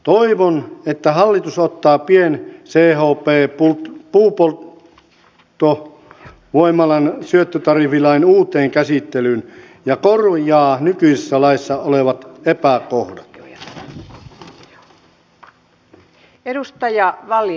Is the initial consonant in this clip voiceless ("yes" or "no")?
yes